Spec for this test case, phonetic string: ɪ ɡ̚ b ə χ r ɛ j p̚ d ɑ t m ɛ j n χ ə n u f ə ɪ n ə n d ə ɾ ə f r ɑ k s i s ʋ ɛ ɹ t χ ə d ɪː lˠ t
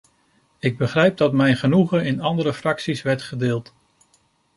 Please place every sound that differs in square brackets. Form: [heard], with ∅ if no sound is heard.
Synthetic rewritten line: ɪ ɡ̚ b ə χ r ɛ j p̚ d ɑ t m ɛ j n χ ə n u [χ] ə ɪ n [ɑ] n d ə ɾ ə f r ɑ k s i s ʋ ɛ ɹ t χ ə d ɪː lˠ t